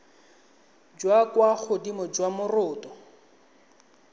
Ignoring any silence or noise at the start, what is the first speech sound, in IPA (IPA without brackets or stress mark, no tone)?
d͡ʒ